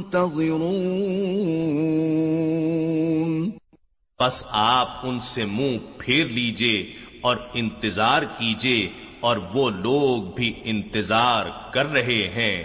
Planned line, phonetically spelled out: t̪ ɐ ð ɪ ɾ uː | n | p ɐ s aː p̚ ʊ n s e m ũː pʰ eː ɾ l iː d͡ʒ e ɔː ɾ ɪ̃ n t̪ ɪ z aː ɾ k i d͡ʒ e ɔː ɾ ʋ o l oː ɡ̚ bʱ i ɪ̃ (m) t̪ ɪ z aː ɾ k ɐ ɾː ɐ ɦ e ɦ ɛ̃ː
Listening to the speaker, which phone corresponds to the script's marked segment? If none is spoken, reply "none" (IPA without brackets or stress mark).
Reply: n